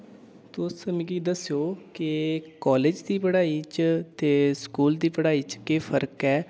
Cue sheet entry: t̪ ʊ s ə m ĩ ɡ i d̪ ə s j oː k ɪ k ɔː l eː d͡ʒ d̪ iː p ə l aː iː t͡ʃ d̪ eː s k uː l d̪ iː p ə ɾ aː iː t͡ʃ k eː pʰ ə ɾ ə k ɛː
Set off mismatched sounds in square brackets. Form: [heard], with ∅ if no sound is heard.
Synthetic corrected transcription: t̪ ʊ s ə m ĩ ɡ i d̪ ə s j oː k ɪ k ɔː l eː d͡ʒ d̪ iː p ə [ɽ] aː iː t͡ʃ [t̪] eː s k uː l d̪ iː p ə [ɽ] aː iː t͡ʃ k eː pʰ ə ɾ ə k ɛː